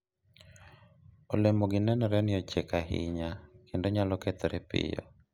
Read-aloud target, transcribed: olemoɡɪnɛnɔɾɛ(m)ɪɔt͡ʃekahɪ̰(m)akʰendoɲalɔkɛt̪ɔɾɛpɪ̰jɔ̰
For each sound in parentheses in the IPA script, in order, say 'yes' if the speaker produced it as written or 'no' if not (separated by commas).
no, no